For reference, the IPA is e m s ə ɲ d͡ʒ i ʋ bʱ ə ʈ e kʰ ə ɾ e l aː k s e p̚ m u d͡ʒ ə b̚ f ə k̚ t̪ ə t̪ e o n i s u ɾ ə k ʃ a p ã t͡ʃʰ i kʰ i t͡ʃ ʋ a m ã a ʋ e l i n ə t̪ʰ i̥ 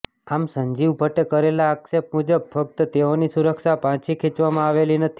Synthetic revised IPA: a m s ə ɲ d͡ʒ i ʋ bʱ ə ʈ e k ə ɾ e l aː k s e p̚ m u d͡ʒ ə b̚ f ə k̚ t̪ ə t̪ e o n i s u ɾ ə k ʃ a p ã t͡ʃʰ i kʰ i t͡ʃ ʋ a m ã a ʋ e l i n ə t̪ʰ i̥